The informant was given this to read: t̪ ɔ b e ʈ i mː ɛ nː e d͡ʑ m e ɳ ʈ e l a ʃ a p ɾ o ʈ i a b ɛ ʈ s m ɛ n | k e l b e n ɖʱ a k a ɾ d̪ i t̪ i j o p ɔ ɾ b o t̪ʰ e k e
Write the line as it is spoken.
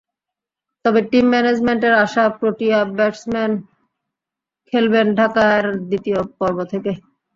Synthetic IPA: t̪ ɔ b e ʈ i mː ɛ n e d͡ʑ m e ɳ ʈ e ɾ a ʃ a p ɾ o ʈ i a b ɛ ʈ s m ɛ n | kʰ e l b e n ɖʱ a k a ɾ d̪ i t̪ i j o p ɔ ɾ b o t̪ʰ e k e